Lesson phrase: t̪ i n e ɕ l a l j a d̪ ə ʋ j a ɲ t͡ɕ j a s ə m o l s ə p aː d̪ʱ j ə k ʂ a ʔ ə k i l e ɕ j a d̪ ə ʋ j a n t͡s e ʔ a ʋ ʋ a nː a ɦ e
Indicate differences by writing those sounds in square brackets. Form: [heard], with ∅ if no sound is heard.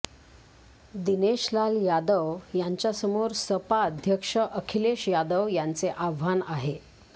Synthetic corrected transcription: [d̪] i n e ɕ l a l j a d̪ ə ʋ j a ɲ t͡ɕ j a s ə m o [ɾ] s ə p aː d̪ʱ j ə k ʂ [ə] ʔ ə [kʰ] i l e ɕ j a d̪ ə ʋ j a n t͡s e ʔ a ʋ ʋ a [n] a ɦ e